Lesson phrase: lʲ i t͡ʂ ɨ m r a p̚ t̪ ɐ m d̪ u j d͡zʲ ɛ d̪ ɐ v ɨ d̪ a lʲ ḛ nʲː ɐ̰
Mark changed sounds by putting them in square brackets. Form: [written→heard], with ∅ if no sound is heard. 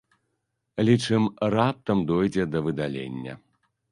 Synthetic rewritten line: lʲ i t͡ʂ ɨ m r a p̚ t̪ ɐ m d̪ [u→ɔ] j d͡zʲ ɛ d̪ ɐ v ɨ d̪ a lʲ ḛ nʲː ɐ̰

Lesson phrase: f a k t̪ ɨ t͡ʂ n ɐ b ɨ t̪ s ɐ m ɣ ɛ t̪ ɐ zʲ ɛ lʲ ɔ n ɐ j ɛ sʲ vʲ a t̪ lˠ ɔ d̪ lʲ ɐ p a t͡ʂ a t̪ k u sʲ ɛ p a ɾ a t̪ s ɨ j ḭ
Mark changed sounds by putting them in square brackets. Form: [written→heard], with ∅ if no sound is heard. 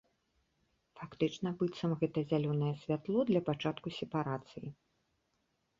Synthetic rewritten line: f a k t̪ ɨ t͡ʂ n ɐ b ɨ t̪ s ɐ m ɣ ɛ t̪ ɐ zʲ [ɛ→a] lʲ ɔ n ɐ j ɛ sʲ vʲ a t̪ lˠ ɔ d̪ lʲ ɐ p a t͡ʂ a t̪ k u sʲ ɛ p a ɾ a t̪ s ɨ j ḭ

